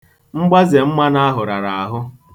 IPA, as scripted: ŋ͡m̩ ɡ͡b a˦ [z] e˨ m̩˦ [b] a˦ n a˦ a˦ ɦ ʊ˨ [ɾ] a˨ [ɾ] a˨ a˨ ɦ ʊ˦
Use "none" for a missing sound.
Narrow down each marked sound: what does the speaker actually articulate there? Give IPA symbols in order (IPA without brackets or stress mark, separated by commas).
z, m, ɾ, ɾ